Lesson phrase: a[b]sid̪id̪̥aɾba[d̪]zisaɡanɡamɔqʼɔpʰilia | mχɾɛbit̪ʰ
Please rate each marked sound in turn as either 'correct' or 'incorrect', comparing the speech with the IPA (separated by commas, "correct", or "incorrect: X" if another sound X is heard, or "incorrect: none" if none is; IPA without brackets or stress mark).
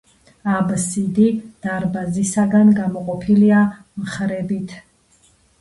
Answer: correct, incorrect: none